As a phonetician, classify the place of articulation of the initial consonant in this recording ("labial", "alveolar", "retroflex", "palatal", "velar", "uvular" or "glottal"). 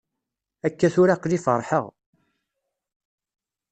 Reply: velar